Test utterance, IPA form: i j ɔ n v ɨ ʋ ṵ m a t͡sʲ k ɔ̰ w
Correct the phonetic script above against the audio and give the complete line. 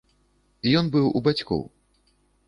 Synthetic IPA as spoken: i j ɔ n b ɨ w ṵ b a t͡sʲ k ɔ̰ w

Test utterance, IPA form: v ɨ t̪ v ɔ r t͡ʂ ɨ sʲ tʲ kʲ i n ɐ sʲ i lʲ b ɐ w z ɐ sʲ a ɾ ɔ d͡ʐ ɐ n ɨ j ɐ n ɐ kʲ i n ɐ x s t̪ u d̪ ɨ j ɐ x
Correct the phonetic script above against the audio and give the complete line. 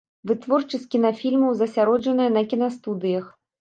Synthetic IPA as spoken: v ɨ t̪ v ɔ r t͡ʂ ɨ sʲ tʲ kʲ i n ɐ fʲ i lʲ m ɐ w z ɐ sʲ a ɾ ɔ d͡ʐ ɐ n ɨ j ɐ n ɐ kʲ i n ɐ s t̪ u d̪ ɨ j ɐ x

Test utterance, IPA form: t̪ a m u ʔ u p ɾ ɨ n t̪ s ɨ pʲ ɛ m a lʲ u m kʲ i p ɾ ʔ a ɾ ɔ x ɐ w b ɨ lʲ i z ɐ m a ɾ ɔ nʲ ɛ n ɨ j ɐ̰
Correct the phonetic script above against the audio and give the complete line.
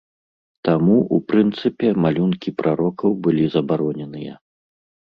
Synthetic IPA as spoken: t̪ a m u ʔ u p ɾ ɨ n t̪ s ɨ pʲ ɛ m a lʲ u n kʲ i p ɾ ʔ a ɾ ɔ k ɐ w b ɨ lʲ i z ɐ b a ɾ ɔ nʲ ɛ n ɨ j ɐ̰

